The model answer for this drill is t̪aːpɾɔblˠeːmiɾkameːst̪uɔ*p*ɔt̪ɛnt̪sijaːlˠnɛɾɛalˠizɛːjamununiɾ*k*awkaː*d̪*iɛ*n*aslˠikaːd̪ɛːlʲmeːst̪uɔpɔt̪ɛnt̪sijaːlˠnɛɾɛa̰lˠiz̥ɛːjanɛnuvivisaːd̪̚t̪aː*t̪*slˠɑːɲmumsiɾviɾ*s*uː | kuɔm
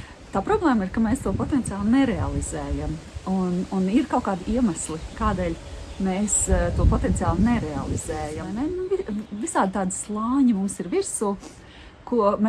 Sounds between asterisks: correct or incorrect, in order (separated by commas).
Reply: correct, correct, correct, incorrect, incorrect, correct